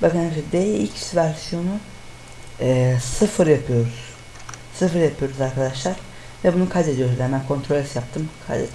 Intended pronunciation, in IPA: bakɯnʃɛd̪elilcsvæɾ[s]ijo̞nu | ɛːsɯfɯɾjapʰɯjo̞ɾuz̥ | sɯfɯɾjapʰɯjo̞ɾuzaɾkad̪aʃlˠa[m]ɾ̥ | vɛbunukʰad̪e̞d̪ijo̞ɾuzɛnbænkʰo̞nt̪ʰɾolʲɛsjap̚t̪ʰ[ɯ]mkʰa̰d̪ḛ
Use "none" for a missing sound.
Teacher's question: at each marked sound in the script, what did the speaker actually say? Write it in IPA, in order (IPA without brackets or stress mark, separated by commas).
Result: s, none, ɯ